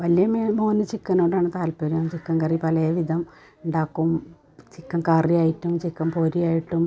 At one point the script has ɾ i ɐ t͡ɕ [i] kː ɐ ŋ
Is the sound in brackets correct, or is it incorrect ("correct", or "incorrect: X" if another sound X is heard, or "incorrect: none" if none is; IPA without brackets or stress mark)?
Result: correct